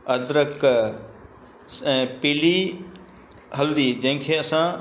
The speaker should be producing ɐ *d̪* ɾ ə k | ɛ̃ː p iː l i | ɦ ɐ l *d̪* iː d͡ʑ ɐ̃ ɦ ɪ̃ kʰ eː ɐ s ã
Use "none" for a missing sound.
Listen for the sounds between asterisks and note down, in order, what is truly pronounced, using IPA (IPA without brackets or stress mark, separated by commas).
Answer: d̪, d̪